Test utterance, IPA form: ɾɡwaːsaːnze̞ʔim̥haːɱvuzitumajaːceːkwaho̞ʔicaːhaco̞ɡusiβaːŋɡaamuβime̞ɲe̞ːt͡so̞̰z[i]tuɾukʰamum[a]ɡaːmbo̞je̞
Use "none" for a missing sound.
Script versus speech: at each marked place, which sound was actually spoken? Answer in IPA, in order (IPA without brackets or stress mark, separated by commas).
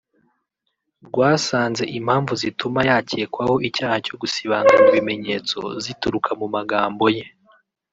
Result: i, a